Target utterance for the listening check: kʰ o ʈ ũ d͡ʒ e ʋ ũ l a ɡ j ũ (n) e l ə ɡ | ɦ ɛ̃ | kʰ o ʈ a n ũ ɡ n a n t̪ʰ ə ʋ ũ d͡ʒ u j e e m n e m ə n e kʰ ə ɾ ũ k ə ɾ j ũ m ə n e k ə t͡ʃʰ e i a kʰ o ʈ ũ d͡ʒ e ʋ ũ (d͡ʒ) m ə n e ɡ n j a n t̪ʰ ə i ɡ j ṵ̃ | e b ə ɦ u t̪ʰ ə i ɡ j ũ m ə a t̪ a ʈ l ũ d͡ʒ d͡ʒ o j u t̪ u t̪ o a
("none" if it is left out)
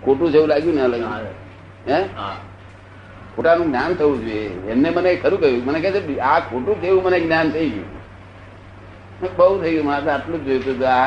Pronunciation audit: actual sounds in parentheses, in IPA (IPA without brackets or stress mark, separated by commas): n, none